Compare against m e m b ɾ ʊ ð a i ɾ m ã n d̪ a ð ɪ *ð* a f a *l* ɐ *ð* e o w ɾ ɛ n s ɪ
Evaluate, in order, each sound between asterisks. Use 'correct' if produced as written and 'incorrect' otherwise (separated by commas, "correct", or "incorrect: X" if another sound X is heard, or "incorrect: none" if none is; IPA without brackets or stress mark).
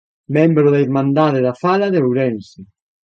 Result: correct, correct, correct